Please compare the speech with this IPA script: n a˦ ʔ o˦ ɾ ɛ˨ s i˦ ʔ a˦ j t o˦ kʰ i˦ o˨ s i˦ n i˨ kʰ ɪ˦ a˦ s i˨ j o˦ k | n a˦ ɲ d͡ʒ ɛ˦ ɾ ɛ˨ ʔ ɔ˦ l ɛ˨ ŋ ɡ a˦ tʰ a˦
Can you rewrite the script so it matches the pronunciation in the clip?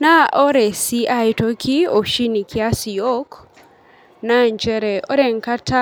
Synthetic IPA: n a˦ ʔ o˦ ɾ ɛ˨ s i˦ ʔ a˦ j t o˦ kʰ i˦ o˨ ʃ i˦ n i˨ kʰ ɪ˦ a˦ s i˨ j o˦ k | n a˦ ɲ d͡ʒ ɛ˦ ɾ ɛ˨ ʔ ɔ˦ ɾ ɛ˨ ŋ k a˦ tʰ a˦